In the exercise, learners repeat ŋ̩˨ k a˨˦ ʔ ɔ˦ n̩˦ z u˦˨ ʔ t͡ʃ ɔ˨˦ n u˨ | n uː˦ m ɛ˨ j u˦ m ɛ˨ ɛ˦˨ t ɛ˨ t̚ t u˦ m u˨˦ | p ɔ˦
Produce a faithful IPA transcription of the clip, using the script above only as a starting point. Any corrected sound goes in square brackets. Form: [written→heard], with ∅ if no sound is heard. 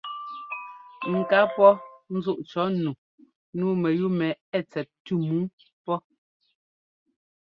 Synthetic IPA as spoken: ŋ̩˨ k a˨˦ [ʔ→p] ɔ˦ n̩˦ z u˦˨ ʔ t͡ʃ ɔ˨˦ n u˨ | n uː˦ m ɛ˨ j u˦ m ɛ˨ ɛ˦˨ [t→t͡s] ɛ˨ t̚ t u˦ m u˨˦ | p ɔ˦

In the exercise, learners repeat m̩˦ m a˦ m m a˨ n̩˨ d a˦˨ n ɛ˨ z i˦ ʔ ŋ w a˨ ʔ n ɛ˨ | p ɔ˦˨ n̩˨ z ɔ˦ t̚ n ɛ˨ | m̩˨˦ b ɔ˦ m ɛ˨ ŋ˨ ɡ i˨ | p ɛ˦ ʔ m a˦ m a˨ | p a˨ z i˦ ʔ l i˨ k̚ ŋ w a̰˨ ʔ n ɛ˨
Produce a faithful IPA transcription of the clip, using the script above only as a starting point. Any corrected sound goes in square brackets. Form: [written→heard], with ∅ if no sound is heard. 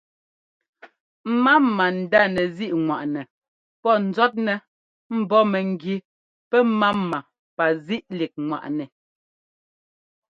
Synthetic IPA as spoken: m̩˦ m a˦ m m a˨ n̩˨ d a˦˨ n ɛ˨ z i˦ ʔ ŋ w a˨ ʔ n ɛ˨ | p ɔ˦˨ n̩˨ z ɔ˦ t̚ n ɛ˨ | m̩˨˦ b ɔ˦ m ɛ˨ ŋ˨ ɡ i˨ | p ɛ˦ [ʔ→∅] m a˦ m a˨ | p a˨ z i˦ ʔ l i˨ k̚ ŋ w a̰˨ ʔ n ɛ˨

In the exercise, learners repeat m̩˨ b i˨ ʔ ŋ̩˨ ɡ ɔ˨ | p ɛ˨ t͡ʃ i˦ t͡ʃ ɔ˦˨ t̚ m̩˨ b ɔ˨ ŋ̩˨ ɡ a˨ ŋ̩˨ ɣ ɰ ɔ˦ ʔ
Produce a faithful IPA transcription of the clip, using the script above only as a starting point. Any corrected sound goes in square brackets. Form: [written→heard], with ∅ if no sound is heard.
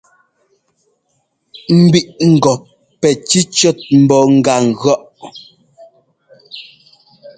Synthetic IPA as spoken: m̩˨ b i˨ ʔ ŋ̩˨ ɡ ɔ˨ | p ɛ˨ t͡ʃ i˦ t͡ʃ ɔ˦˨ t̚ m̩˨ b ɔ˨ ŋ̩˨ ɡ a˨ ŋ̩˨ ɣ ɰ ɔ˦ ʔ

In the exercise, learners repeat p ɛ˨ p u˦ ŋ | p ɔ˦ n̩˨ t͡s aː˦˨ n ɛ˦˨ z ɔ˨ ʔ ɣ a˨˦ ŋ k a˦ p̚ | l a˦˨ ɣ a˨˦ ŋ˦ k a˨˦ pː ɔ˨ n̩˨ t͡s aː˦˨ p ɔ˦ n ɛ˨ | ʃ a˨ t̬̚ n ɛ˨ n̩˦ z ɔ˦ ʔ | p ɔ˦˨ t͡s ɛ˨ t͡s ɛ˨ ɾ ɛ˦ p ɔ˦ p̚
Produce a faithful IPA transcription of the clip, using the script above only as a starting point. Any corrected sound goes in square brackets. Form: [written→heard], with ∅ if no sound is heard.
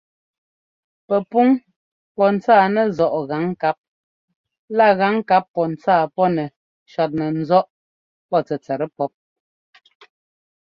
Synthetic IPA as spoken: p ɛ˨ p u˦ ŋ | p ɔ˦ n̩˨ t͡s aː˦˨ n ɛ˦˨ z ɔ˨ ʔ ɣ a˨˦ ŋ k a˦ p̚ | l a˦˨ ɣ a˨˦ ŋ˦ k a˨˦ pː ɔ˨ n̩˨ t͡s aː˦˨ p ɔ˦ n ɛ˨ | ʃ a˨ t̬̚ n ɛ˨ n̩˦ z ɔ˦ ʔ | p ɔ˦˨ t͡s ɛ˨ t͡s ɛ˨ ɾ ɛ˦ p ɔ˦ p̚

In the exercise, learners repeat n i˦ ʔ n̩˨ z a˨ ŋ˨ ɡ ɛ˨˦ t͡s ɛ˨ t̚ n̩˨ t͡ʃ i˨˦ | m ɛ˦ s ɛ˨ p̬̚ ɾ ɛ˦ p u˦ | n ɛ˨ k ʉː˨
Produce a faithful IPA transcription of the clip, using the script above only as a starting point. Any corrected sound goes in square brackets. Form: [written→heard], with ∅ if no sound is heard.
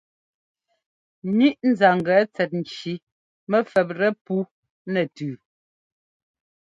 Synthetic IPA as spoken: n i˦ ʔ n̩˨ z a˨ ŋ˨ ɡ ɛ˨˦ t͡s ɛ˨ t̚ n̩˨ t͡ʃ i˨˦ | m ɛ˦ [s→f] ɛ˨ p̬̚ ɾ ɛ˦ p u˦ | n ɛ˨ [k→t] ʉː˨

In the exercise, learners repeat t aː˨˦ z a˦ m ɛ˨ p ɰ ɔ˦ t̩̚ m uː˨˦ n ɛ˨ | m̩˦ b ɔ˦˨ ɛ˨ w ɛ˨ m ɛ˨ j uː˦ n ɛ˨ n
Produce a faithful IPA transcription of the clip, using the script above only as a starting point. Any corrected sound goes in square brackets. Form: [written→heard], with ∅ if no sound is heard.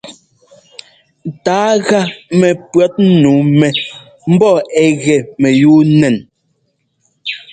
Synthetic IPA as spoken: t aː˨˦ [z→ɣ] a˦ m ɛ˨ p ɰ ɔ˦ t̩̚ [m→n] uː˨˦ [n→m] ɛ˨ | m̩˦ b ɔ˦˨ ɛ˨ [w→ɣ] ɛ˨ m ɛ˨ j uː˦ n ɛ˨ n

